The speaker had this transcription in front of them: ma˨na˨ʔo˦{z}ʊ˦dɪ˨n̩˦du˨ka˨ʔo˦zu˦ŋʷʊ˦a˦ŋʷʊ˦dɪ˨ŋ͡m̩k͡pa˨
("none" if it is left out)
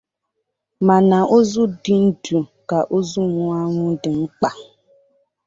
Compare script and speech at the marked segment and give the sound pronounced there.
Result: z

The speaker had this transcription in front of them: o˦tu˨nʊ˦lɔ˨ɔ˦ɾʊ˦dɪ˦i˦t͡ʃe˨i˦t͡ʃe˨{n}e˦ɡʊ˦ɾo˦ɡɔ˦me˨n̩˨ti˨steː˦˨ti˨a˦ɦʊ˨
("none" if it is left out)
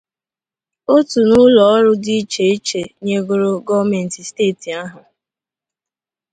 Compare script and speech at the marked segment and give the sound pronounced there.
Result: ɲ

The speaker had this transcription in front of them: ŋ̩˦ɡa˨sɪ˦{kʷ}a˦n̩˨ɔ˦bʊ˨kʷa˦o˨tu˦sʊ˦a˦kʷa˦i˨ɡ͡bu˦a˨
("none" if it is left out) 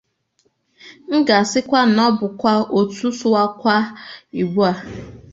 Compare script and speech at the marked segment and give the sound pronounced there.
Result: kʷ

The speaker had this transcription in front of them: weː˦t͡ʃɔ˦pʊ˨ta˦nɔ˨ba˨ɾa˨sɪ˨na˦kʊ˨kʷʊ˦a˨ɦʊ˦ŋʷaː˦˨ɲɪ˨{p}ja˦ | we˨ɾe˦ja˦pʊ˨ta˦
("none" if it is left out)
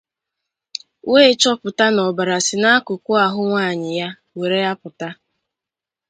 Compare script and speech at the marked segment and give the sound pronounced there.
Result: none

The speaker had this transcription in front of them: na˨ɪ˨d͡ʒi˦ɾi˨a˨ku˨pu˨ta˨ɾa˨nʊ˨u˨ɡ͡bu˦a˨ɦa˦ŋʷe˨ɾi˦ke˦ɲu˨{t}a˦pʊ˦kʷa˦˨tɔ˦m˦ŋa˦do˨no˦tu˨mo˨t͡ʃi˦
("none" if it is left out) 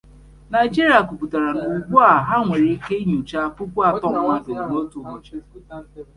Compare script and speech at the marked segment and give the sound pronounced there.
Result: t͡ʃ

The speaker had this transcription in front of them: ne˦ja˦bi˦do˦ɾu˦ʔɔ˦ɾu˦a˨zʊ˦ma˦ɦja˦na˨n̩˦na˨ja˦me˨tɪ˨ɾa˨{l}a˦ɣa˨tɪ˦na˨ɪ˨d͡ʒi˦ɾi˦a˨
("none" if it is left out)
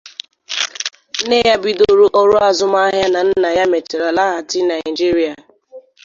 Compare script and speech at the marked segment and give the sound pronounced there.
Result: l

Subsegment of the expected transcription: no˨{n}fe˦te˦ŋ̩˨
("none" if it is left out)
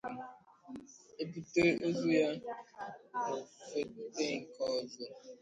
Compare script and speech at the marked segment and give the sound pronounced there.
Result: none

